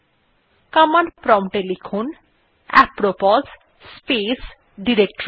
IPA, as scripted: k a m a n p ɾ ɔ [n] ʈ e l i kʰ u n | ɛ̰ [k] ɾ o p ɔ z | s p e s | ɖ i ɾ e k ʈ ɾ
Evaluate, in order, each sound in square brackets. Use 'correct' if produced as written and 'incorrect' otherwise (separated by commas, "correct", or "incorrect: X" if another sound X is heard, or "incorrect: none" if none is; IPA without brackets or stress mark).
incorrect: m, incorrect: p